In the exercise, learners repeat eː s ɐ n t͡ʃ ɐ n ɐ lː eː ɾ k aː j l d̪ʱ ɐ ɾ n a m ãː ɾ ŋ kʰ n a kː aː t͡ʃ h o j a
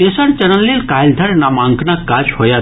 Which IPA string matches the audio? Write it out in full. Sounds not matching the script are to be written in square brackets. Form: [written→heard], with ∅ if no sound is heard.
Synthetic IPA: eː s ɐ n t͡ʃ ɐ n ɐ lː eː [ɾ→l] k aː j l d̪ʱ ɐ ɾ n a m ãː [ɾ→∅] ŋ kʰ n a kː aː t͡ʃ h o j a